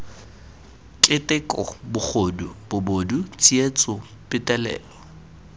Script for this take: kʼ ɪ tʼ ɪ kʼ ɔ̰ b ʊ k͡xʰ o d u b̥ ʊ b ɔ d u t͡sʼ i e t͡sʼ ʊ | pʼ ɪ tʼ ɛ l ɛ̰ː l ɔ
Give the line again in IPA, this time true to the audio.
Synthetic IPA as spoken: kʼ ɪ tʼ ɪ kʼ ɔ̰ b ʊ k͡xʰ o d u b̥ ʊ b o d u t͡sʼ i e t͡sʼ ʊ | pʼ ɪ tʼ ɛ l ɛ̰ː l ɔ